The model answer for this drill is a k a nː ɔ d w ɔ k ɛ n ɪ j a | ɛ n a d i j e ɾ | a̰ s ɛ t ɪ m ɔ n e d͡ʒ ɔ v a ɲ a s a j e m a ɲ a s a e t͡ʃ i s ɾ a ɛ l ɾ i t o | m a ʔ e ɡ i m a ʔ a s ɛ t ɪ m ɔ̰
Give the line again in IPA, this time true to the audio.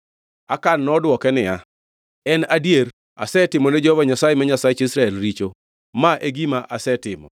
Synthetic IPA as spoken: a k a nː ɔ d w ɔ k ɛ n ɪ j a | ɛ n a d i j e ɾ | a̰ s ɛ t ɪ m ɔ n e d͡ʒ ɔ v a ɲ a s a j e m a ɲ a s a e t͡ʃ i s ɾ a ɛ l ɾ i t͡ʃ o | m a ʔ e ɡ i m a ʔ a s ɛ t ɪ m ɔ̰